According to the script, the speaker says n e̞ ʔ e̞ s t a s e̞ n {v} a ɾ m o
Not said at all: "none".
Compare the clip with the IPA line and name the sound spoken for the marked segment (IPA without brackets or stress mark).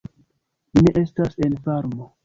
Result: f